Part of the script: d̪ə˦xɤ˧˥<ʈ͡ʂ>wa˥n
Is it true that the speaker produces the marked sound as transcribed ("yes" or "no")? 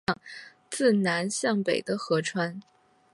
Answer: no